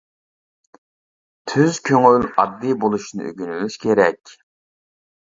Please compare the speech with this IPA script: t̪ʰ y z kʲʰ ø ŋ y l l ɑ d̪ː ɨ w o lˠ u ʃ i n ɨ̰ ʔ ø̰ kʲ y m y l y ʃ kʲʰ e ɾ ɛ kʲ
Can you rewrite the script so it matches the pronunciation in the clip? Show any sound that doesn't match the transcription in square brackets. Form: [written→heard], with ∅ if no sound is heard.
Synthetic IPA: t̪ʰ y z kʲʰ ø ŋ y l l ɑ d̪ː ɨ [w→b] o lˠ u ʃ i n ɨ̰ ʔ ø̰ [kʲ→ɡʲ] y [m→n] y l y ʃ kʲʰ e ɾ ɛ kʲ

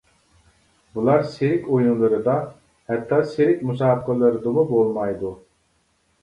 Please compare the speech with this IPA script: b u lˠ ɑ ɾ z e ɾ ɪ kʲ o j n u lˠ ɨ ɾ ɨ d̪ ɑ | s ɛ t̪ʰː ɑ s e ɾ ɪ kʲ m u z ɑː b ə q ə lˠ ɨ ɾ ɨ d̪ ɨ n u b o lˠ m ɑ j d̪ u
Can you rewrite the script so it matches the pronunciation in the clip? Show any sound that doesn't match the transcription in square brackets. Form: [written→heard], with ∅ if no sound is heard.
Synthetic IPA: b u lˠ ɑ ɾ [z→s] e ɾ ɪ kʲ o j n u lˠ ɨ ɾ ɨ d̪ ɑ | [s→h] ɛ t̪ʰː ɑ s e ɾ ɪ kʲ m u [z→s] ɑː b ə q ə lˠ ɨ ɾ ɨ d̪ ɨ [n→m] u b o lˠ m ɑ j d̪ u

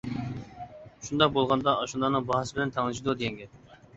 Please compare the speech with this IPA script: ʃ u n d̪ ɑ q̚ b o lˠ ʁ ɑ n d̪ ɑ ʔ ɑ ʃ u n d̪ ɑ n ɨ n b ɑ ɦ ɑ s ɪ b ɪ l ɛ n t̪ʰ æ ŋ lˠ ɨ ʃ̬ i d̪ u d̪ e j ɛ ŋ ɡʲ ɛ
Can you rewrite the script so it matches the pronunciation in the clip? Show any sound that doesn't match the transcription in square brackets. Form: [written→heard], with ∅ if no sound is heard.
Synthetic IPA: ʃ u n d̪ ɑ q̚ b o lˠ ʁ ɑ n d̪ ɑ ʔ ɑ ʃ u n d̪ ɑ n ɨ [n→ŋ] b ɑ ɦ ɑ s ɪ b ɪ l ɛ n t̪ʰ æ ŋ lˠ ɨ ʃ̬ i d̪ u d̪ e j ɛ ŋ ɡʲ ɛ

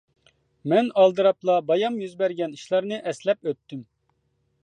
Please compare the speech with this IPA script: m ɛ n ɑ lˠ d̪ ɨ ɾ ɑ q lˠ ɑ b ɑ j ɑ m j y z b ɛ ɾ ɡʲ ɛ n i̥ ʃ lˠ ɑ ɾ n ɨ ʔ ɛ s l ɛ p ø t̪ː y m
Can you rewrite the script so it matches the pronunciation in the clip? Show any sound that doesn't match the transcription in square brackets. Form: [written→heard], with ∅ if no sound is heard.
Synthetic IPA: m ɛ n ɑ lˠ d̪ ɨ ɾ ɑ [q→p] lˠ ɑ b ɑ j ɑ m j y z b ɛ ɾ ɡʲ ɛ n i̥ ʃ lˠ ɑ ɾ n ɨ ʔ ɛ s l ɛ p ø t̪ː y m

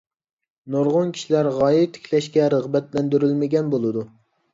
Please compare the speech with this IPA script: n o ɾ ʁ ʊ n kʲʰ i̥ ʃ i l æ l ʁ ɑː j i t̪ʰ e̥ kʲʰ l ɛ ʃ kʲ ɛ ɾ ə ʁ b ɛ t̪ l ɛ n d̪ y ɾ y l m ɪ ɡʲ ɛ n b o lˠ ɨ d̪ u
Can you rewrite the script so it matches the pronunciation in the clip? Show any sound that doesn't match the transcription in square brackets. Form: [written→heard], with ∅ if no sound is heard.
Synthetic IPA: n o ɾ ʁ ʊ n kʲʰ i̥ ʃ i l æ [l→ɾ] ʁ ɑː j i t̪ʰ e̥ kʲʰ l ɛ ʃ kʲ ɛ ɾ ə ʁ b ɛ t̪ l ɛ n d̪ y ɾ y l m ɪ ɡʲ ɛ n b o lˠ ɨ d̪ u

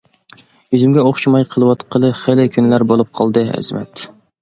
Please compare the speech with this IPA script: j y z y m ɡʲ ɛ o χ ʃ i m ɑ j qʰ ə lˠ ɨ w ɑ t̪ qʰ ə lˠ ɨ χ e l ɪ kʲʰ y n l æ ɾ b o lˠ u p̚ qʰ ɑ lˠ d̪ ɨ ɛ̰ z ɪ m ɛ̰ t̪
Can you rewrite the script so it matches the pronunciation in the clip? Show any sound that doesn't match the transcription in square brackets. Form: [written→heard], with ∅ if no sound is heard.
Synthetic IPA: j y z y m ɡʲ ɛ o χ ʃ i m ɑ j qʰ ə lˠ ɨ w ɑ t̪ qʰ ə lˠ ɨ χ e l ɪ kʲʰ y n l æ ɾ b o lˠ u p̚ qʰ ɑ lˠ d̪ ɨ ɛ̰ z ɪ m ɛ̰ t̪

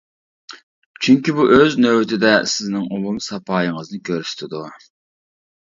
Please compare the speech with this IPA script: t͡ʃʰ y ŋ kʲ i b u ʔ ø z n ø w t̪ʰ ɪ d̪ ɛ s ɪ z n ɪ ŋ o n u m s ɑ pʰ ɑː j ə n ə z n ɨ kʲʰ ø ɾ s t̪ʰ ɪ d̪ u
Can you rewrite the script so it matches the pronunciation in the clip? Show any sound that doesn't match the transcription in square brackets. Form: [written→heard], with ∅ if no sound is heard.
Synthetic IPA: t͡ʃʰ y ŋ kʲ i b u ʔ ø z n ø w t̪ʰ ɪ d̪ ɛ s ɪ z n ɪ ŋ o [n→m] u m s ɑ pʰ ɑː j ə [n→ŋ] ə z n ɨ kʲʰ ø ɾ s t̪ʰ ɪ d̪ u

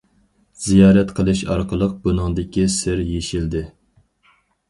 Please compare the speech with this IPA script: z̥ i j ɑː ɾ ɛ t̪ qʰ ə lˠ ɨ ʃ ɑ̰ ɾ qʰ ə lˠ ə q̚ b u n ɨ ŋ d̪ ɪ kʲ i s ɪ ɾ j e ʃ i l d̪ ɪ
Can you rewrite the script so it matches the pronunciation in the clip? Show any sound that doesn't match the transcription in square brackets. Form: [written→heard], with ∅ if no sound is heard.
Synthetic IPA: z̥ i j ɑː ɾ ɛ t̪ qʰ ə lˠ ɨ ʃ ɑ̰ ɾ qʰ ə lˠ ə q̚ b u n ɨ ŋ d̪ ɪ kʲ i s ɪ ɾ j e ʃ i l d̪ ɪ

